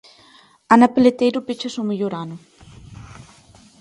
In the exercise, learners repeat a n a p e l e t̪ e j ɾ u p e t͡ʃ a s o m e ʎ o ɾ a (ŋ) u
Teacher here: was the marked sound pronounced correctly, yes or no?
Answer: no